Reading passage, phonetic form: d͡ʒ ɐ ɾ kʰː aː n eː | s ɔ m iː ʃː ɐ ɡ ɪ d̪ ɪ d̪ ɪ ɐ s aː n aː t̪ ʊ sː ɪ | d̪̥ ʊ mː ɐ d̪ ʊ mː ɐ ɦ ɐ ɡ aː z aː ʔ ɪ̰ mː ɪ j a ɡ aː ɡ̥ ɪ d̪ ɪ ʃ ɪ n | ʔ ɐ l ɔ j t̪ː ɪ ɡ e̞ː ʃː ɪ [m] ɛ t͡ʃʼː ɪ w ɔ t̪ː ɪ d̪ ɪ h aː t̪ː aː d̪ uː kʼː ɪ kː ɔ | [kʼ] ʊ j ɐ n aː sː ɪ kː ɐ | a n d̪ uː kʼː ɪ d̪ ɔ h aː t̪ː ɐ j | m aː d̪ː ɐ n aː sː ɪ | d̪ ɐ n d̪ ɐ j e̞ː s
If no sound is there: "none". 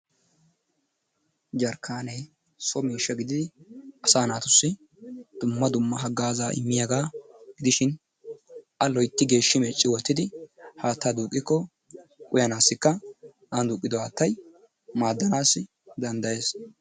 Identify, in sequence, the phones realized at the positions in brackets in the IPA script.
m, kʼ

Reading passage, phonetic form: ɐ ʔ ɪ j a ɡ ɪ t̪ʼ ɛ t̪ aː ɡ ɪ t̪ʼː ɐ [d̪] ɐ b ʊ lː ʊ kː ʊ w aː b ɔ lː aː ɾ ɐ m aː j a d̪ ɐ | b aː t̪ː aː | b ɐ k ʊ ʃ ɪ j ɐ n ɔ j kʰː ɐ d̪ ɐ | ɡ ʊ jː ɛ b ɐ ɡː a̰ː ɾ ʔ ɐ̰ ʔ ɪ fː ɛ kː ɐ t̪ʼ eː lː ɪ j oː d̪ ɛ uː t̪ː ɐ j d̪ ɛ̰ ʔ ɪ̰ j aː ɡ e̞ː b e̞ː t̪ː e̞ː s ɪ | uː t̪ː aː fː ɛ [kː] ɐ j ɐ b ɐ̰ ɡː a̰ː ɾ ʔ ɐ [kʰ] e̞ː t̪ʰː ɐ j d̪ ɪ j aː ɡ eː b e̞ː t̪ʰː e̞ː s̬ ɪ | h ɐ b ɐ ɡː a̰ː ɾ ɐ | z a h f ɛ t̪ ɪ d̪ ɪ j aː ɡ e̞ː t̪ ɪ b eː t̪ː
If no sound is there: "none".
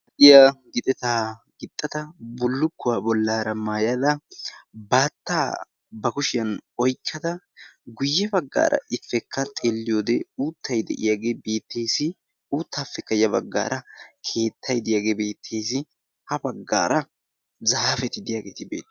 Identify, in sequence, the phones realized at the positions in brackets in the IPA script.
t̪, kː, kʰ

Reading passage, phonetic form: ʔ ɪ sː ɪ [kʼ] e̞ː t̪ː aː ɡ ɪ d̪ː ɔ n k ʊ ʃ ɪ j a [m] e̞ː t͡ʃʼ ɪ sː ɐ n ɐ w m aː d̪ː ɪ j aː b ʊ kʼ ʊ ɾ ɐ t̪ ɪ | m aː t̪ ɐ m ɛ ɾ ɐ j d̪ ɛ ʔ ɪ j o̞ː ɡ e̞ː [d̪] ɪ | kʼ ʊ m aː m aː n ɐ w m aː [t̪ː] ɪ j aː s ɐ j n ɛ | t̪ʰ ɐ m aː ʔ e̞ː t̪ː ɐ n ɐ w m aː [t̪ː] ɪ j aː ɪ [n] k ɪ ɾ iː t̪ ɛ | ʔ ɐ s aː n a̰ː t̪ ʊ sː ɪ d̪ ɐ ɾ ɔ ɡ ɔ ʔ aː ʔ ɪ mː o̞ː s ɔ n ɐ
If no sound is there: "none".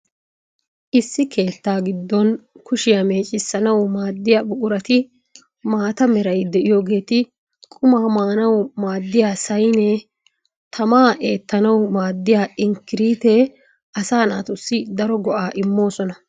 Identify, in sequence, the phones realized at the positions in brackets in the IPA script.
k, m, t̪, d̪ː, d̪ː, ŋ

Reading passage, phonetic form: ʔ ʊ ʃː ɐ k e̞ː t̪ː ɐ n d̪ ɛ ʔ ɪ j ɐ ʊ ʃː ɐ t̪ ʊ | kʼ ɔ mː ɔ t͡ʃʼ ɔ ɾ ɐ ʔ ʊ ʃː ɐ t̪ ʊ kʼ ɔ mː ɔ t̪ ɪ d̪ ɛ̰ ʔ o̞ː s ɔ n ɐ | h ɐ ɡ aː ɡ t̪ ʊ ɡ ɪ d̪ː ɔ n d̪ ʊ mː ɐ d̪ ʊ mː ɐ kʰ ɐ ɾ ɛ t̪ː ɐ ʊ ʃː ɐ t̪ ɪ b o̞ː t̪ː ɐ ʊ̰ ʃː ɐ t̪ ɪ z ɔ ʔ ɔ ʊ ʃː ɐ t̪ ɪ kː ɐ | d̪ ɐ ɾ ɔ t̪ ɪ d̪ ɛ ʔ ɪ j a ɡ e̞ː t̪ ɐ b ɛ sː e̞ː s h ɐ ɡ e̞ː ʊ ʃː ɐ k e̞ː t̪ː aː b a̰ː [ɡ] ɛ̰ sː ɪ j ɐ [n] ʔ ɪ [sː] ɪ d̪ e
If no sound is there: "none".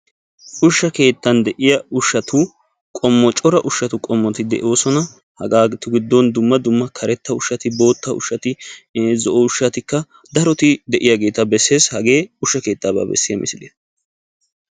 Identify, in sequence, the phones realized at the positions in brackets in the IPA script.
b, m, s

